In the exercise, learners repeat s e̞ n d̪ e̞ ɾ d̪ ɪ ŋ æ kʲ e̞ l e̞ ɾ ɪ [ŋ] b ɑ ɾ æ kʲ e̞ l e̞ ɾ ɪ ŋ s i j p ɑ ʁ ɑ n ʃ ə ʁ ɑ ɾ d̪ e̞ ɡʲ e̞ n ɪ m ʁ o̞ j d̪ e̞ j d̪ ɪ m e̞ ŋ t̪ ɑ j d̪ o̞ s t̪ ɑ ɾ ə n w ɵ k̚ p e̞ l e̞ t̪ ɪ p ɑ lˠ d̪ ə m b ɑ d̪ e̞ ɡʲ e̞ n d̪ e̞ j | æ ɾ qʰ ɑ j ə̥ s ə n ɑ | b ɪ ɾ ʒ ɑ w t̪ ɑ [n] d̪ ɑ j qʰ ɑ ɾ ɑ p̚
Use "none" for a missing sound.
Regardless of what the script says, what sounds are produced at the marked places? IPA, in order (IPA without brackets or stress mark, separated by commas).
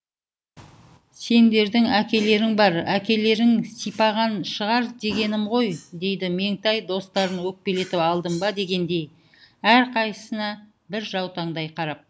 ŋ, ɴ